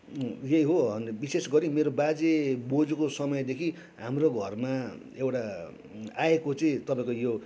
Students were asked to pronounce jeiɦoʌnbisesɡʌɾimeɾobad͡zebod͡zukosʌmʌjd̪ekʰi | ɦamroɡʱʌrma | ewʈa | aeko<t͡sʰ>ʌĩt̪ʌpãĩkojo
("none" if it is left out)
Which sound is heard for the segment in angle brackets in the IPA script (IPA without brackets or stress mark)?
t͡s